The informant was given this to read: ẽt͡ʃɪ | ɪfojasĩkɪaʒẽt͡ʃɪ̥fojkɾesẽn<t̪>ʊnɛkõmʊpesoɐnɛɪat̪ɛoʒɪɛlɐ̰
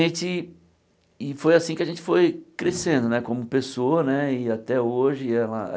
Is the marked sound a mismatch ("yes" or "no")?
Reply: yes